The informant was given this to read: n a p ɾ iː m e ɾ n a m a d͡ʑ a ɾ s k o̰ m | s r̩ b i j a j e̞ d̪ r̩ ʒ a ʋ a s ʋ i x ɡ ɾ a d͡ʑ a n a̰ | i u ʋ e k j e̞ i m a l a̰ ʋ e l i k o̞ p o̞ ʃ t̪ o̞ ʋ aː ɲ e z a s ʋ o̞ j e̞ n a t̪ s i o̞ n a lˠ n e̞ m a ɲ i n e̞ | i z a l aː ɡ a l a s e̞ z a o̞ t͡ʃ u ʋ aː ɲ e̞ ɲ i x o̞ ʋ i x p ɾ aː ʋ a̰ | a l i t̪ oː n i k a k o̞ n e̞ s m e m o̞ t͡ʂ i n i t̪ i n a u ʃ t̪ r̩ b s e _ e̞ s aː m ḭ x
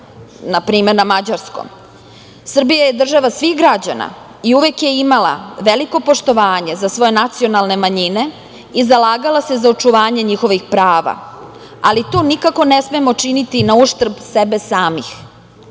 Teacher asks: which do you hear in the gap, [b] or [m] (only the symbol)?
b